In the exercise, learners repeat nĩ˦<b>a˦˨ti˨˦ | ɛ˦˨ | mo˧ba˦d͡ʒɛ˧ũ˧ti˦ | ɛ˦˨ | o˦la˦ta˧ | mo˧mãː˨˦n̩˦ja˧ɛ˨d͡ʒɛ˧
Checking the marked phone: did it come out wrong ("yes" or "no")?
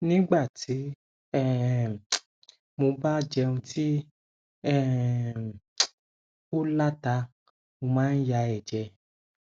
yes